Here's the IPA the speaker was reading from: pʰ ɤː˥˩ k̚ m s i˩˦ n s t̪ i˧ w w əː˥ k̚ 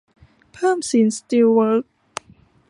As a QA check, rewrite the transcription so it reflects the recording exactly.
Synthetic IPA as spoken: pʰ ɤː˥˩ m s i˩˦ n s t̪ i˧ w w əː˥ k̚